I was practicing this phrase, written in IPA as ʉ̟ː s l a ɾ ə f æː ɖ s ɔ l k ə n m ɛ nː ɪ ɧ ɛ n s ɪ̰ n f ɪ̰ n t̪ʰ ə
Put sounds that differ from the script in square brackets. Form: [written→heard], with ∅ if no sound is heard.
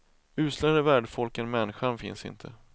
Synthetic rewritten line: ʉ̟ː s l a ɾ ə [f→v] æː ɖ [s→f] ɔ l k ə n m ɛ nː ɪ ɧ [ɛ→a] n [s→f] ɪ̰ n [f→s] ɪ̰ n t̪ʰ ə